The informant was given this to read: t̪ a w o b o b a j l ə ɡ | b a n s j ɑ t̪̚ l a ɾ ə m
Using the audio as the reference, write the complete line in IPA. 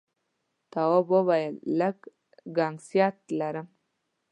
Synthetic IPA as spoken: t̪ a w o b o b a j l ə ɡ | ɡ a ŋ s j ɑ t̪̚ l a ɾ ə m